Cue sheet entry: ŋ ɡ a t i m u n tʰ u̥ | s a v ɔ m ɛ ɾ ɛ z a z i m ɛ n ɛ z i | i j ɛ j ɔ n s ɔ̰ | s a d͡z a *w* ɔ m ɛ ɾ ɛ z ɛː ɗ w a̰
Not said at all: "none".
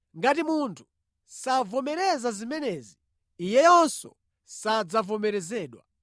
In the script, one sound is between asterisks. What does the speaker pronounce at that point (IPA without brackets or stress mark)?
v